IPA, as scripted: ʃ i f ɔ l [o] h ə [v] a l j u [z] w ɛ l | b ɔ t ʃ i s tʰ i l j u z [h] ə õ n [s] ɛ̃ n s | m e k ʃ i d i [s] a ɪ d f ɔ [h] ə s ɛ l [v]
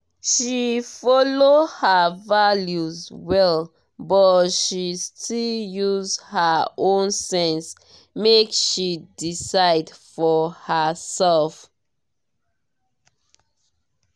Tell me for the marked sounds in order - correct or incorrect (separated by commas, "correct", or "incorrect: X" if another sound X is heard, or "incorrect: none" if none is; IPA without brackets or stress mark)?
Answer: correct, correct, correct, correct, correct, correct, correct, incorrect: f